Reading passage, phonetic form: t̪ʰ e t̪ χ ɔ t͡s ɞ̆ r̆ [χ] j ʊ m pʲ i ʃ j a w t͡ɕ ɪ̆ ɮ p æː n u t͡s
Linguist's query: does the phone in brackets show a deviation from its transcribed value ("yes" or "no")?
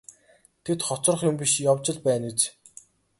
no